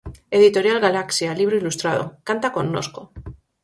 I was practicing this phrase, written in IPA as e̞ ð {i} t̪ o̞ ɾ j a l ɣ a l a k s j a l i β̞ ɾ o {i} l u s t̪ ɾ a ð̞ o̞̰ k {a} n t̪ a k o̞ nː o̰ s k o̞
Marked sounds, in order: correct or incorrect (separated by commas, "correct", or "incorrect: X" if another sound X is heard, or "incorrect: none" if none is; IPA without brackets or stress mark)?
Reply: correct, correct, correct